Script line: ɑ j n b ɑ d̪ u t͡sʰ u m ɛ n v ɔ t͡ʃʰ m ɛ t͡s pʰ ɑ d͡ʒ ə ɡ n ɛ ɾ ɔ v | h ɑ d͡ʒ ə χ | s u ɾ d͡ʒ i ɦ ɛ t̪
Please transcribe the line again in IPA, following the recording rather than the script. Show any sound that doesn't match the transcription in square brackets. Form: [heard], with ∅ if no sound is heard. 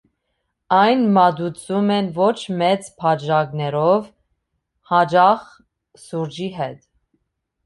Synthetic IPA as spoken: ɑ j n [m] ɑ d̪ u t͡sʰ u m ɛ n v ɔ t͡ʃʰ m ɛ t͡s pʰ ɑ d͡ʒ [ɑ] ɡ n ɛ ɾ ɔ v | h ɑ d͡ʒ [ɑ] χ | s u ɾ d͡ʒ i ɦ ɛ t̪